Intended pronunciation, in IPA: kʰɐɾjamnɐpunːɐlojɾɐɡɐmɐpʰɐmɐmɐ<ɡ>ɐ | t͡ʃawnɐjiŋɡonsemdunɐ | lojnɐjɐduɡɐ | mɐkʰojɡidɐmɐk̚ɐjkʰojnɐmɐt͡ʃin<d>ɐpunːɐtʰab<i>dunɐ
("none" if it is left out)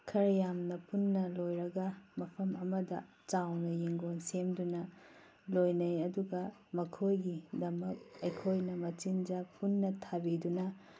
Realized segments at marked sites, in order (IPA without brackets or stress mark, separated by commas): d, d͡ʒ, i